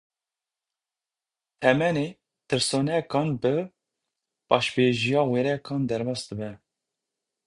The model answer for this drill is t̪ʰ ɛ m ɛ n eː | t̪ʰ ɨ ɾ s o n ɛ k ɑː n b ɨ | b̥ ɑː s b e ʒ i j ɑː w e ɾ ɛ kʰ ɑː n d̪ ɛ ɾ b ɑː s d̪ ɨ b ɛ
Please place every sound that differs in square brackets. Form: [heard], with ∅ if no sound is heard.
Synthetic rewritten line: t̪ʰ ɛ m ɛ n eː | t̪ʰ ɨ ɾ s o n ɛ k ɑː n b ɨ | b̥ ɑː [ʃ] b e ʒ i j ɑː w e ɾ ɛ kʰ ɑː n d̪ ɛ ɾ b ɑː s d̪ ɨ b ɛ